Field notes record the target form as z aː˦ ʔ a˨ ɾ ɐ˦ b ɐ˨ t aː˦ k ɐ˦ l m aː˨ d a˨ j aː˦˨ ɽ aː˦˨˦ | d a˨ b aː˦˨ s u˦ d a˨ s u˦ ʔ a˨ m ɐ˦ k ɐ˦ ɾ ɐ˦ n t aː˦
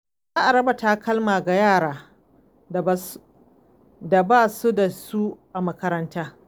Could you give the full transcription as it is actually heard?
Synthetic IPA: z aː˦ ʔ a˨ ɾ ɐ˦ b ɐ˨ t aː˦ k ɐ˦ l m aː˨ ɡ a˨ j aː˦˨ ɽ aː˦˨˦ | d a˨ b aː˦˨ s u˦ d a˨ s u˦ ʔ a˨ m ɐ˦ k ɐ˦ ɾ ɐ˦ n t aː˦